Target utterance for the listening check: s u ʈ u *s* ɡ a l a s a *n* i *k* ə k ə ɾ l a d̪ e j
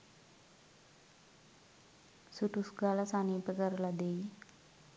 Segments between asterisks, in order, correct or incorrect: correct, correct, incorrect

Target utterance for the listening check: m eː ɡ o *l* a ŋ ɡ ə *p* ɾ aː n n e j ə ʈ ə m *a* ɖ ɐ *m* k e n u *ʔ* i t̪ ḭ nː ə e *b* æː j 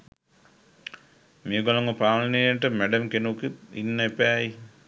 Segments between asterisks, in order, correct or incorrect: correct, correct, incorrect, correct, incorrect, incorrect

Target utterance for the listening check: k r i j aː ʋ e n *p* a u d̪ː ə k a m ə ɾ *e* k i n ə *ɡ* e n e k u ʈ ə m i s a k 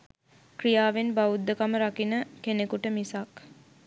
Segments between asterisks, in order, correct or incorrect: incorrect, incorrect, incorrect

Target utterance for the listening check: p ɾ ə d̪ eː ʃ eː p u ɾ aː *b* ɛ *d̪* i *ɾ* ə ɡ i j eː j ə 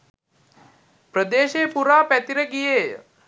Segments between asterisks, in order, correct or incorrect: incorrect, incorrect, correct

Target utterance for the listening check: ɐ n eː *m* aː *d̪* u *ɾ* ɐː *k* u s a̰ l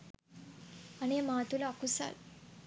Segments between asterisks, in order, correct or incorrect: correct, incorrect, incorrect, correct

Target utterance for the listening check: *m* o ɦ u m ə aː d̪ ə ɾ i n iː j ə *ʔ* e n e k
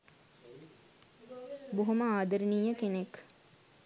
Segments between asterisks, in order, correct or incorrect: incorrect, incorrect

